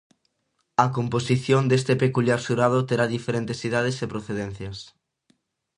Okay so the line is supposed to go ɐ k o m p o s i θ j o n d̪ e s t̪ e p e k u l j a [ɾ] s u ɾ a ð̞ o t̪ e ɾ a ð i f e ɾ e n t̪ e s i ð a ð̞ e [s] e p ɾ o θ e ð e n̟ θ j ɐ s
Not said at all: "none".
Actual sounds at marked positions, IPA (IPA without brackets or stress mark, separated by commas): ɾ, s